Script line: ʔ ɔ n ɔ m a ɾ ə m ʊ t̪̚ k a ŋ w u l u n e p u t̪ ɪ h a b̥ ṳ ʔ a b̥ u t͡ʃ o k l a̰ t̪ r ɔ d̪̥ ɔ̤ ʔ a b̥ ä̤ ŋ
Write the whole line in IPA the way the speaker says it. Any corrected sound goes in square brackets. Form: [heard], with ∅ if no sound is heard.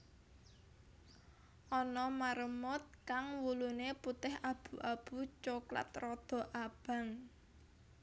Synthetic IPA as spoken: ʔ ɔ n ɔ m a ɾ ə m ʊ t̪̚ k a ŋ w u l u n e p u t̪ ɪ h a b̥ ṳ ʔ a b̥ u t͡ʃ o k l a̰ t̪ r ɔ d̪̥ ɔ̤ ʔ a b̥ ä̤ ŋ